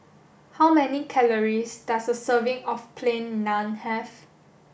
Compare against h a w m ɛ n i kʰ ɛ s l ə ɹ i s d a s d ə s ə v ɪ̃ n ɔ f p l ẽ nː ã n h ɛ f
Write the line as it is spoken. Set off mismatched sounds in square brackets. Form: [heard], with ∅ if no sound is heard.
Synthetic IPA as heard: h a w m ɛ n i kʰ ɛ [∅] l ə ɹ i s d a s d ə s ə v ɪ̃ [ŋ] ɔ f [pʰ] l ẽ nː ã n h ɛ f